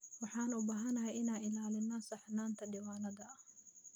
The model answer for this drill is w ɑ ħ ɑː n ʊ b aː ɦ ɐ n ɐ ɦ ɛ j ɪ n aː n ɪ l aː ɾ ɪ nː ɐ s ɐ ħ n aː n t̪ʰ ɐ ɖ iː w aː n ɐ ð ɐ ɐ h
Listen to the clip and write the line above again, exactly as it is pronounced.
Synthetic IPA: w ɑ ħ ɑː n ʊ b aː ɦ ɐ n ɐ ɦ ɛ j ɪ n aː n ɪ l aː l ɪ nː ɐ s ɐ ħ n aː n t̪ʰ ɐ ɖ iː w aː n ɐ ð ɐ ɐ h